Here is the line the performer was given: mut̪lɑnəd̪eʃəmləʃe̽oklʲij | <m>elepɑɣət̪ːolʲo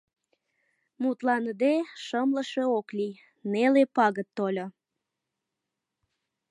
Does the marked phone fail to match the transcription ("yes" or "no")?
yes